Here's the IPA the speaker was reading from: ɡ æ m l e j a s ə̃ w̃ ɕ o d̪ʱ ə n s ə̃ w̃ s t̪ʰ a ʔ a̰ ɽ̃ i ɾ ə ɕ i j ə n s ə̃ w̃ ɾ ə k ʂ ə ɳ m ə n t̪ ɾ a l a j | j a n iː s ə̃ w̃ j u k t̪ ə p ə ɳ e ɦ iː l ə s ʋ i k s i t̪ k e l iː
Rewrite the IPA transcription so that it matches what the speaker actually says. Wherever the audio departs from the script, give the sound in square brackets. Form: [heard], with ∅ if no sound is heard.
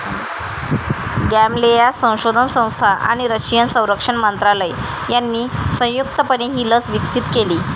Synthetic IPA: ɡ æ m l e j a s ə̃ w̃ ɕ o d̪ʱ ə n s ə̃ w̃ s t̪ʰ a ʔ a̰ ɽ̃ i ɾ ə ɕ i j ə n s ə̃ w̃ ɾ ə k ʂ ə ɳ m ə n t̪ ɾ a l [ə] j | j a [nː] iː s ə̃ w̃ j u k t̪ ə p ə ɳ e ɦ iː l ə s ʋ i k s i t̪ k e l iː